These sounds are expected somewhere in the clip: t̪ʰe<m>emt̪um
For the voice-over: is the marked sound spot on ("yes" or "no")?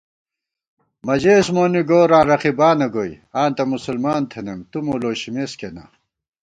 no